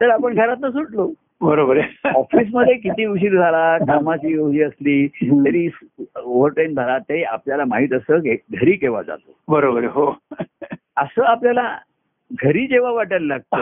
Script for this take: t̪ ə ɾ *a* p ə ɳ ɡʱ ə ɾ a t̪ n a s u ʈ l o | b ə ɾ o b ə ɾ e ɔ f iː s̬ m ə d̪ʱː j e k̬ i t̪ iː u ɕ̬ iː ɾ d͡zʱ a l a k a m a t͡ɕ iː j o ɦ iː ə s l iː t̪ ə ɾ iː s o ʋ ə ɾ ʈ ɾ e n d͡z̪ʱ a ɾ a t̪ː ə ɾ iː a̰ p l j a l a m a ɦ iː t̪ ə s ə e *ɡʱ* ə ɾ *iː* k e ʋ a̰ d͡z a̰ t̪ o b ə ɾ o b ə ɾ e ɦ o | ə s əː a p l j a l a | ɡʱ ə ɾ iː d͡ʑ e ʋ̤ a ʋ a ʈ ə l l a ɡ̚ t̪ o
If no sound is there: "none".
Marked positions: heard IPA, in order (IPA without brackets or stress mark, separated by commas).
a, ɡʱ, iː